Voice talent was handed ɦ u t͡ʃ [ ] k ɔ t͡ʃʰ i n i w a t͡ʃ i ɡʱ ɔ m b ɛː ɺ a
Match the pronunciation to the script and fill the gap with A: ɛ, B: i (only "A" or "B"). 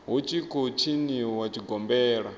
B